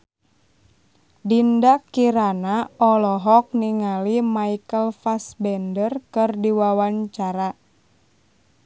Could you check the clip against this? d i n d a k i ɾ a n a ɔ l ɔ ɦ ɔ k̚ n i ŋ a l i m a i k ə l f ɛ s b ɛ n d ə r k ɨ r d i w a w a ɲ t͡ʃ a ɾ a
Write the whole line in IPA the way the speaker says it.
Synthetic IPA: d i n d a k i ɾ a n a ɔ l ɔ ɦ ɔ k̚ n i ŋ a l i m a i k ə l f a s b ɛ n d ə r k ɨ r d i w a w a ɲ t͡ʃ a ɾ a